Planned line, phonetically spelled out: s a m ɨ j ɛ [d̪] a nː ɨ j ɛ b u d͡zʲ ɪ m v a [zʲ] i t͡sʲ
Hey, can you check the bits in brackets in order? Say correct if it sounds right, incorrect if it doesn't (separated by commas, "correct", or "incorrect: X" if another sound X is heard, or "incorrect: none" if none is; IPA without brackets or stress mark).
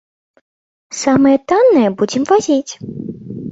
incorrect: t̪, correct